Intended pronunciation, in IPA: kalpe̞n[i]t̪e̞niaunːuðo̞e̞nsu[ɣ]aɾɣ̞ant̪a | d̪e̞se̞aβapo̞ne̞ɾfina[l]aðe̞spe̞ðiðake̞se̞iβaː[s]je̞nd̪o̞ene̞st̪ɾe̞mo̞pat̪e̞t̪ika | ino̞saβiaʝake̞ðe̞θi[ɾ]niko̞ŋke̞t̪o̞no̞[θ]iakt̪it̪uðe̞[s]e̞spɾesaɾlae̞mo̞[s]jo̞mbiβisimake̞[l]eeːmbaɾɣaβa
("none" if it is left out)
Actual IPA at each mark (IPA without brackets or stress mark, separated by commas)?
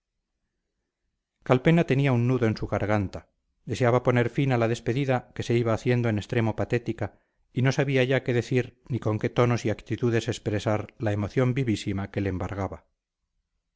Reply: a, ɣ, l, θ, ɾ, s, s, θ, l